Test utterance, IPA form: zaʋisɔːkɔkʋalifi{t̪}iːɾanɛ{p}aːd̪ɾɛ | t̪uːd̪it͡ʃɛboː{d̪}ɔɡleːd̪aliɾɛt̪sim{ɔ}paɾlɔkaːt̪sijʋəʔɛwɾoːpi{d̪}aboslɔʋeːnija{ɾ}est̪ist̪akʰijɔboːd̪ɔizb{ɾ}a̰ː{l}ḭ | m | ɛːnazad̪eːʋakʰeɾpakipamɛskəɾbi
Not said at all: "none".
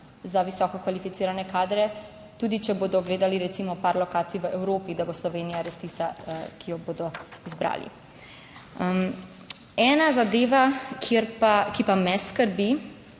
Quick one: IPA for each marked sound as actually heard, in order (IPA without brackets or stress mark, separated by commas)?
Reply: t̪, k, d̪, ɔ, d̪, ɾ, ɾ, l